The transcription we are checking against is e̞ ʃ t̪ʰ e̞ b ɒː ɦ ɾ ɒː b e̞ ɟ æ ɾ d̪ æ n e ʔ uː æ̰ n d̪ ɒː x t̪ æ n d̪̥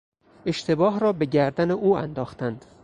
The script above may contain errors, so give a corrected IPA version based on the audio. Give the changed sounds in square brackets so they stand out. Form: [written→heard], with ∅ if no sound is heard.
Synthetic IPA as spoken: e̞ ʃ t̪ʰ e̞ b ɒː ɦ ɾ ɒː b e̞ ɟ æ ɾ d̪ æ n e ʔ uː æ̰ n d̪ ɒː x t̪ æ n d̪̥